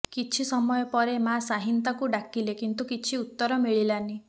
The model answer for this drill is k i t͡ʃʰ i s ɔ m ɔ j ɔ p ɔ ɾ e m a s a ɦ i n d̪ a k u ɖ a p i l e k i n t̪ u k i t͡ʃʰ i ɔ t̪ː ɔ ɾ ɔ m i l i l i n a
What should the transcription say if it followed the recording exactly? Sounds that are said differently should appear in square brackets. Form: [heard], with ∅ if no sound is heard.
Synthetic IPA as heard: k i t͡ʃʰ i s ɔ m ɔ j ɔ p ɔ ɾ e m a s a ɦ i n [t̪] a k u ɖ a [k] i l e k i n t̪ u k i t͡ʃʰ i [u] t̪ː ɔ ɾ ɔ m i [ɭ] i l [a] n [i]